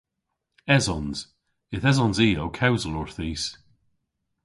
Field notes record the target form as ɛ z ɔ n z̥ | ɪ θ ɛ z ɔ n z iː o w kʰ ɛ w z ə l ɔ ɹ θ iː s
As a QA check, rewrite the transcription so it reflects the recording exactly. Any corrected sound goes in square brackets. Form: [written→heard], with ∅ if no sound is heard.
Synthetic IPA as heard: ɛ z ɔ n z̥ | ɪ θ ɛ z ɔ n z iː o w kʰ [ɛ→a] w z ə l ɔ ɹ θ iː s